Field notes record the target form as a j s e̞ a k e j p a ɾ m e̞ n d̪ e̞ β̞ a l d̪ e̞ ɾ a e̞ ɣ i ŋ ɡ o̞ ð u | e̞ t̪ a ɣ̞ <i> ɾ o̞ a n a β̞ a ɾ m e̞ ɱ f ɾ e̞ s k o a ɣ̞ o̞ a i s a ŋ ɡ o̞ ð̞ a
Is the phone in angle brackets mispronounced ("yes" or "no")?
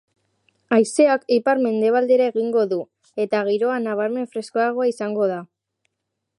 no